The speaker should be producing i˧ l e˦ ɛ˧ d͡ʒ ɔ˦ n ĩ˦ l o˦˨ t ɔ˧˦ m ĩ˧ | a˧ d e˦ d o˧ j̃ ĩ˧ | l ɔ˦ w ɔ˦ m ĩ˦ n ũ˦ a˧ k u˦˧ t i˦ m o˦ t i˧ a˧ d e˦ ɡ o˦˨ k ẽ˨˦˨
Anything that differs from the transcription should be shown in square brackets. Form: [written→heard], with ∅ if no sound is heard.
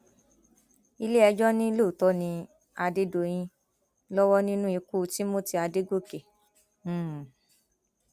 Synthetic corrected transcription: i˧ l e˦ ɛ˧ d͡ʒ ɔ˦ n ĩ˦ l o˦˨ t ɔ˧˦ [m→n] ĩ˧ | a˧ d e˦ d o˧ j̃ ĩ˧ | l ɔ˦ w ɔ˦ [m→n] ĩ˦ n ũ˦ [a˧→i˧] k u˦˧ t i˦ m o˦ t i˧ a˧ d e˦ ɡ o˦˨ k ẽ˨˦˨